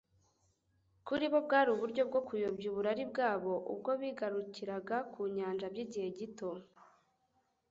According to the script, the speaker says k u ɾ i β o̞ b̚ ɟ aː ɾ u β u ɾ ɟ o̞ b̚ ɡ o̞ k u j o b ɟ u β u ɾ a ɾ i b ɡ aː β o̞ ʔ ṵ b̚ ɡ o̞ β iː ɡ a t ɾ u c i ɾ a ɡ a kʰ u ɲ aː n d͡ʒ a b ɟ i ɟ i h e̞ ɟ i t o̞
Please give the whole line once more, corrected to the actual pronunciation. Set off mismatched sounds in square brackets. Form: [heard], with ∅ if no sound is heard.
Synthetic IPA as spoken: k u ɾ i β o̞ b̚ [ɡ] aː ɾ u β u ɾ ɟ o̞ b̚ ɡ o̞ k u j o b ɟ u β u ɾ a ɾ i b ɡ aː β o̞ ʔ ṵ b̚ ɡ o̞ β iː ɡ a [∅] ɾ u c i ɾ a ɡ a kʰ u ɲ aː n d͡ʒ a b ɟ i ɟ i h e̞ ɟ i t o̞